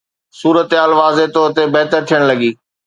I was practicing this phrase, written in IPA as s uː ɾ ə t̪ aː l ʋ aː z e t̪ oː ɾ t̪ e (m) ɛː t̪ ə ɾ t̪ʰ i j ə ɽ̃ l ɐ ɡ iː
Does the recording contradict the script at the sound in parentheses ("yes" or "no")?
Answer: yes